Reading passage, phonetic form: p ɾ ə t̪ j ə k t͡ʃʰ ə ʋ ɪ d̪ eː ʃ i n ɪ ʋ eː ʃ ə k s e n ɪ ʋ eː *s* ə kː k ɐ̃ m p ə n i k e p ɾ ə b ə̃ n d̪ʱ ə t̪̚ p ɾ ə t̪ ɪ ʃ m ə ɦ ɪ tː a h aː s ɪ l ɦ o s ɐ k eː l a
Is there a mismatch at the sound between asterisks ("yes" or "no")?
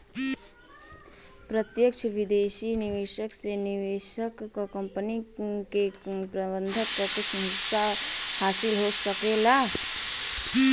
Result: yes